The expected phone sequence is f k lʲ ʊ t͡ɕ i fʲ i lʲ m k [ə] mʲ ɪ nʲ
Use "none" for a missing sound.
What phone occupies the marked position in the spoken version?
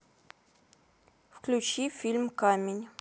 a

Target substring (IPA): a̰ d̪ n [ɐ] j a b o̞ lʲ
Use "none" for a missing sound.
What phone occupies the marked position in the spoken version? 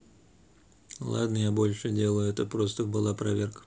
ə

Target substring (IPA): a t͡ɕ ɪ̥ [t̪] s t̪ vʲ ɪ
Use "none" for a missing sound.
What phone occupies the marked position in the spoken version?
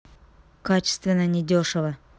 none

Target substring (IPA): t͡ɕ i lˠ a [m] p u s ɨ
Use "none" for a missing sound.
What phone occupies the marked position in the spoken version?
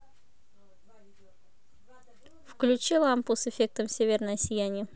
m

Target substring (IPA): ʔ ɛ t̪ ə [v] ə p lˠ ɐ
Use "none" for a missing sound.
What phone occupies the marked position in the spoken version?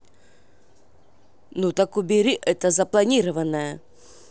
z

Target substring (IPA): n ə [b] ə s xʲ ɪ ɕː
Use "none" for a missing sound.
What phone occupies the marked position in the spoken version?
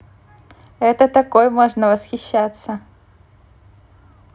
v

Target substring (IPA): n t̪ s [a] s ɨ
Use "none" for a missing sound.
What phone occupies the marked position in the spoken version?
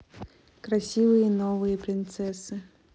ɛ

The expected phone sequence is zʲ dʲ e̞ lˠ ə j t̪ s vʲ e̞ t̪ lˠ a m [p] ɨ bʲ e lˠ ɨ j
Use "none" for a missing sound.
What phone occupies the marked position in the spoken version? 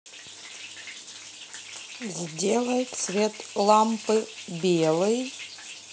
p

